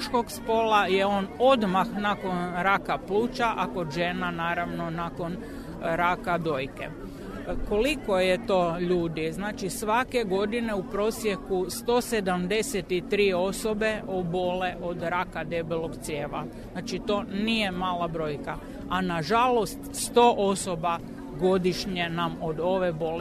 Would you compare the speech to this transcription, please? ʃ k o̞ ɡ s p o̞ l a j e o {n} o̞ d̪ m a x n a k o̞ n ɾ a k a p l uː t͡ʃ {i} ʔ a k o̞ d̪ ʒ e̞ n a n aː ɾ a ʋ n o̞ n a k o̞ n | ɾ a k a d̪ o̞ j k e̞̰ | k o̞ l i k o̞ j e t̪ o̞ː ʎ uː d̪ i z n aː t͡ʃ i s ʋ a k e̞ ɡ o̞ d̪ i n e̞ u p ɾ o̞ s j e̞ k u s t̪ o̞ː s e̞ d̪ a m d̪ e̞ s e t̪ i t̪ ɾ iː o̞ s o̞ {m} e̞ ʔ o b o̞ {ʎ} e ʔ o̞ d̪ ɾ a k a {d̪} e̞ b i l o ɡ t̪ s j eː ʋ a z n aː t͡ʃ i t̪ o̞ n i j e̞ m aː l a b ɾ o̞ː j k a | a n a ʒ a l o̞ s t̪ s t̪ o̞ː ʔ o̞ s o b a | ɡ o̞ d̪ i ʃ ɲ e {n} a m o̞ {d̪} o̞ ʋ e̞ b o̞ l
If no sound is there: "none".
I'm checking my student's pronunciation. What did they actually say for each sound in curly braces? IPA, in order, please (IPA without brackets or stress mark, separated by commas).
n, a, b, l, d̪, n, d̪